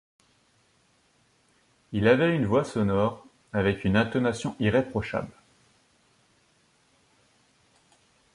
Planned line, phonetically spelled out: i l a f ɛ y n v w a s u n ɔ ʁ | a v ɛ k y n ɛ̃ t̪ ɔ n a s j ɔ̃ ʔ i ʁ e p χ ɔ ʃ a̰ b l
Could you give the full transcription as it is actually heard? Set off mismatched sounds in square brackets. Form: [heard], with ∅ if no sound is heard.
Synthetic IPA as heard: i l a [v] ɛ y n v w a s [ɔ] n ɔ ʁ | a v ɛ k y n ɛ̃ t̪ ɔ n a s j ɔ̃ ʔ i ʁ e p χ ɔ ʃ a̰ b l

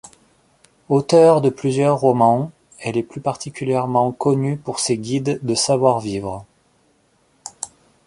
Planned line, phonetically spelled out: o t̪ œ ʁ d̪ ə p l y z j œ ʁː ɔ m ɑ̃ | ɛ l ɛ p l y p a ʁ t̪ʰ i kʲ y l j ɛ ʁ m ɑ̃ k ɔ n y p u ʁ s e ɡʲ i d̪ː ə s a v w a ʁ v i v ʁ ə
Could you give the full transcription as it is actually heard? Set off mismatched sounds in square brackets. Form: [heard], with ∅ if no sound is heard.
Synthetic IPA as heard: o t̪ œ ʁ d̪ ə p l y z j œ ʁː ɔ m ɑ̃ | ɛ l ɛ p l y p a ʁ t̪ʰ i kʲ y l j ɛ ʁ m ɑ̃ k ɔ n y p u ʁ s e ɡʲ i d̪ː ə s a v w a ʁ v i v ʁ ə

